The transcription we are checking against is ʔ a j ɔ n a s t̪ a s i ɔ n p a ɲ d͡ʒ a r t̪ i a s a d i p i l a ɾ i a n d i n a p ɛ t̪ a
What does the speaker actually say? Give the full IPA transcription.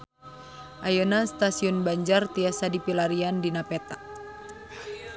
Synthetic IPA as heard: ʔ a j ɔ n a s t̪ a s i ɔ n b a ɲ d͡ʒ a r t̪ i a s a d i p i l a ɾ i a n d i n a p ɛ t̪ a

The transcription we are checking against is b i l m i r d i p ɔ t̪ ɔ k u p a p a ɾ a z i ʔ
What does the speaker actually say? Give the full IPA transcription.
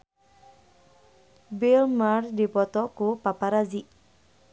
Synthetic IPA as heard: b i l m a r d i p ɔ t̪ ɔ k u p a p a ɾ a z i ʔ

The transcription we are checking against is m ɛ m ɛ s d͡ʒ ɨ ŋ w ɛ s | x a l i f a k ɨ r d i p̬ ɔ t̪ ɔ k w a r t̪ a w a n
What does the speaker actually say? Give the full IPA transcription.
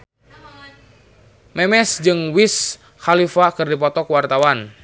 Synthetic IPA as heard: m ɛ m ɛ s d͡ʒ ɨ ŋ w i s | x a l i f a k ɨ r d i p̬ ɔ t̪ ɔ k w a r t̪ a w a n

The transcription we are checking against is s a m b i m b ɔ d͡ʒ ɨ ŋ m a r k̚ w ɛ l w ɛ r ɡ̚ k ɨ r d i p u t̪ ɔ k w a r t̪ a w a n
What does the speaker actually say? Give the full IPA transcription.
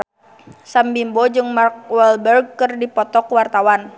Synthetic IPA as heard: s a m b i m b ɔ d͡ʒ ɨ ŋ m a r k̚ w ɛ l b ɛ r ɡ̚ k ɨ r d i p ɔ t̪ ɔ k w a r t̪ a w a n

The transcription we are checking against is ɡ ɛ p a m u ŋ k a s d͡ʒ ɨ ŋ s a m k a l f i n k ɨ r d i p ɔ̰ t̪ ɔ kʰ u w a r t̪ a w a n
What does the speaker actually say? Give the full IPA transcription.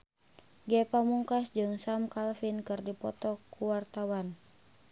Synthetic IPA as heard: ɡ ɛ p a m u ŋ k a s d͡ʒ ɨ ŋ s a m k a l f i n k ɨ r d i p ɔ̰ t̪ ɔ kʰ u w a r t̪ a w a n

